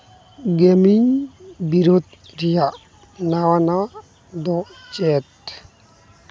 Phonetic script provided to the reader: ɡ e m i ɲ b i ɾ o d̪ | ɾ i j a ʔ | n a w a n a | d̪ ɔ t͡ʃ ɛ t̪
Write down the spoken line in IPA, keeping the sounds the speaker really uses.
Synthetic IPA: ɡ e m i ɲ b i ɾ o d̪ | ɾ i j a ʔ | n a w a n a | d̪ ɔ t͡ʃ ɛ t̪